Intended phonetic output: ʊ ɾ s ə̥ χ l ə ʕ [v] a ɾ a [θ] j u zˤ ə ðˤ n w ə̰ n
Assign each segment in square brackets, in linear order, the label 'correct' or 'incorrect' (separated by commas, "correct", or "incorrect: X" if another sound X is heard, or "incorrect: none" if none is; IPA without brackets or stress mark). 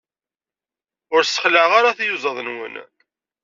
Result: incorrect: ʁ, correct